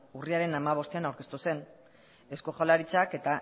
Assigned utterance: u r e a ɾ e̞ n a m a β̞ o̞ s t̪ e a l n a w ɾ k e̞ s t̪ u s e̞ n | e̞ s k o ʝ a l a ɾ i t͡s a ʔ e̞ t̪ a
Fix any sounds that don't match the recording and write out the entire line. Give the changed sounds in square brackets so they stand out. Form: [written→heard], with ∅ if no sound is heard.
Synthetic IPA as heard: u r [e→i] a ɾ e̞ n a m a β̞ o̞ s t̪ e a [l→∅] n a w ɾ k e̞ s t̪ u s e̞ n | e̞ s k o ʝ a l a ɾ i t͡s a [ʔ→k] e̞ t̪ a